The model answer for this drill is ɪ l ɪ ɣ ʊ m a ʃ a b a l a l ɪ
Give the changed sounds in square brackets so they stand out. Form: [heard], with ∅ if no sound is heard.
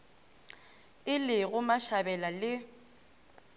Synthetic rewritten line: ɪ l ɪ ɣ ʊ m a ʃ a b [ɛ] l a l ɪ